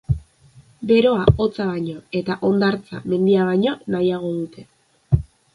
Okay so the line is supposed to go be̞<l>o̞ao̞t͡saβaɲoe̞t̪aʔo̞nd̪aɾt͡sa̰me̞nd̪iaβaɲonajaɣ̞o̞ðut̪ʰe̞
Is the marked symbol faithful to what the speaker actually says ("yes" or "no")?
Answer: no